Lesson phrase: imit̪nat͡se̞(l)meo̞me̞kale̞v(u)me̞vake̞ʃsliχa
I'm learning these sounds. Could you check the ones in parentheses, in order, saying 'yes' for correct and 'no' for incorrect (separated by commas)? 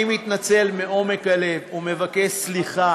yes, yes